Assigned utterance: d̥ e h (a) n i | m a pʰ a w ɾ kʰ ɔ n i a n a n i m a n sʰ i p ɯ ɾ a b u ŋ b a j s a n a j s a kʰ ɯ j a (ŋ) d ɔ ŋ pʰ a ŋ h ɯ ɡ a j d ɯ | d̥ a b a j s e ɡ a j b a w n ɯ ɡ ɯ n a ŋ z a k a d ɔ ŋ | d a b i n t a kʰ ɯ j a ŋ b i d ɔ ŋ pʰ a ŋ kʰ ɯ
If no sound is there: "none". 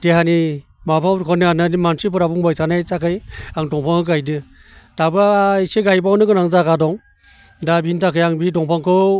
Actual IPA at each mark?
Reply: a, ŋ

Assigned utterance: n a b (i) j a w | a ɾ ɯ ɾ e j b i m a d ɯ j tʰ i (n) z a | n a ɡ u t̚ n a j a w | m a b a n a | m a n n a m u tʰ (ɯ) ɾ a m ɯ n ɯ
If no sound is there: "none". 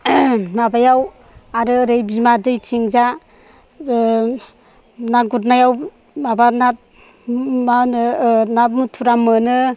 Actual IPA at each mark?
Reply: a, ŋ, u

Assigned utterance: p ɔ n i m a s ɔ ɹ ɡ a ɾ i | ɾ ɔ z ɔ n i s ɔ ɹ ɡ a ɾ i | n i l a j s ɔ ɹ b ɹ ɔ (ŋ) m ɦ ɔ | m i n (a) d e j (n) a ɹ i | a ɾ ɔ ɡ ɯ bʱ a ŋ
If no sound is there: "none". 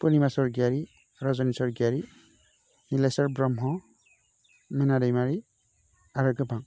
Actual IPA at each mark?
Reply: none, a, m

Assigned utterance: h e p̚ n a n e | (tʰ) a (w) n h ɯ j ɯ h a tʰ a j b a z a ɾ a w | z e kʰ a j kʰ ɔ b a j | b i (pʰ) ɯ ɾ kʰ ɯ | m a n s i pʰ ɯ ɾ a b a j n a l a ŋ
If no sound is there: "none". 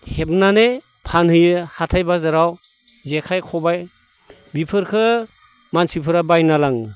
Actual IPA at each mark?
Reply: pʰ, none, pʰ

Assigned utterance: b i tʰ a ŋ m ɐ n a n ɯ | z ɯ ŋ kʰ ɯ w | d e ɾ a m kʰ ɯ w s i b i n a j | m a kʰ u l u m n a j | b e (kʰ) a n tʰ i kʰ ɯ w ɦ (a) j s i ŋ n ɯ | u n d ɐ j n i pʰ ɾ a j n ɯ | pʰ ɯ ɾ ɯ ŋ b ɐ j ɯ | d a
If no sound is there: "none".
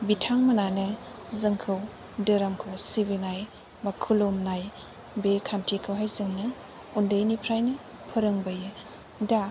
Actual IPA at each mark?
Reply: kʰ, a

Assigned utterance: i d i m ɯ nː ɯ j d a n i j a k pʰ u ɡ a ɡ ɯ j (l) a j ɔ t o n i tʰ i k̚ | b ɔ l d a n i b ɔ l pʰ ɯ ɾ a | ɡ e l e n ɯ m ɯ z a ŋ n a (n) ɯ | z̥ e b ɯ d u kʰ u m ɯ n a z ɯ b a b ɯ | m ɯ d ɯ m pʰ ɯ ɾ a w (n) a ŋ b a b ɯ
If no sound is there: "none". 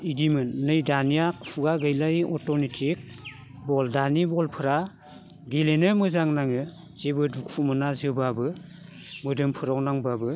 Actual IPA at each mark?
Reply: l, ŋ, n

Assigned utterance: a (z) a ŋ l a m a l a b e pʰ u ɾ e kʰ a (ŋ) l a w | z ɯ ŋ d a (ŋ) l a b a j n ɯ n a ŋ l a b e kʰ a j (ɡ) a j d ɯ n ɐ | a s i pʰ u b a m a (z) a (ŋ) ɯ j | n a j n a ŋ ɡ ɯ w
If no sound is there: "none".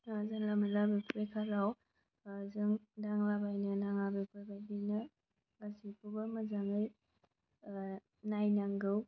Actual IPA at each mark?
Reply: z, none, ŋ, b, z, ŋ

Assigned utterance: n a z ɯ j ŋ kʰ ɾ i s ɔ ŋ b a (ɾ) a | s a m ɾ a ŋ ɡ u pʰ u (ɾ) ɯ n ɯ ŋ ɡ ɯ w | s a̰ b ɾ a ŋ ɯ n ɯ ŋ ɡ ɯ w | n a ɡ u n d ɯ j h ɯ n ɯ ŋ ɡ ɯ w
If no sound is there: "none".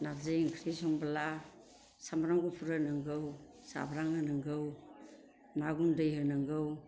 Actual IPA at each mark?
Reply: l, ɾ

